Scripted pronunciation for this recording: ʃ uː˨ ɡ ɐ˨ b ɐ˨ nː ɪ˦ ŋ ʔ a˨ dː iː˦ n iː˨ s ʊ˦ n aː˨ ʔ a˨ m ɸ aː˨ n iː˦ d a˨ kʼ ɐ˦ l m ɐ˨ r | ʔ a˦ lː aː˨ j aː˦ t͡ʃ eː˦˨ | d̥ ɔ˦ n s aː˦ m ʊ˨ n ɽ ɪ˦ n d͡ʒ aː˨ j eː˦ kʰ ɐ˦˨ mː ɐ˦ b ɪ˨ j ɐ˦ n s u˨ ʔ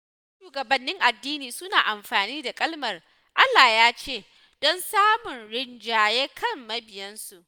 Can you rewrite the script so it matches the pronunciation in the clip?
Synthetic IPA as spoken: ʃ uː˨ ɡ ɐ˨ b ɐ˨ nː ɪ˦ ŋ ʔ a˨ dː iː˦ n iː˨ s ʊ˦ n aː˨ ʔ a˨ m ɸ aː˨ n iː˦ d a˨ kʼ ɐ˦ l m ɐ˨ r | ʔ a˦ lː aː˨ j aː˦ t͡ʃ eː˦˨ | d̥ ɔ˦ n s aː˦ m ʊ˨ n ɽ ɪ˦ n d͡ʒ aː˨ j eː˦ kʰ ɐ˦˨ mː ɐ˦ b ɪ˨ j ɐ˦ n s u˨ ʔ